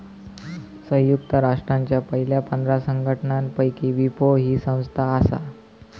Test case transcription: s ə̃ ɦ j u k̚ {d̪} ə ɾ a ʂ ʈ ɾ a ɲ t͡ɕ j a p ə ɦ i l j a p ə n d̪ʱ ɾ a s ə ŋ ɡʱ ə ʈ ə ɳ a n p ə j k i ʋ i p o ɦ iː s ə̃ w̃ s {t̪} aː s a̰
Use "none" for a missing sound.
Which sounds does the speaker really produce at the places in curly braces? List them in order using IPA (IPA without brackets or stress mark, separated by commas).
t̪, t̪ʰ